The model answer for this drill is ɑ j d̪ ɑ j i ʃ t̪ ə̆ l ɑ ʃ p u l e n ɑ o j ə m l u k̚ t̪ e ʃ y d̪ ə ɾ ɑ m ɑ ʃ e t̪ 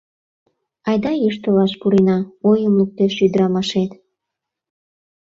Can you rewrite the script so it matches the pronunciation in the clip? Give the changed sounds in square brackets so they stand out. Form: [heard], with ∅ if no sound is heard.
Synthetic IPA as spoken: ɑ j d̪ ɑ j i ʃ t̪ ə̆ l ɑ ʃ p u [ɾ] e n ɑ o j ə m l u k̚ t̪ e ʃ y d̪ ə ɾ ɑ m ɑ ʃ e t̪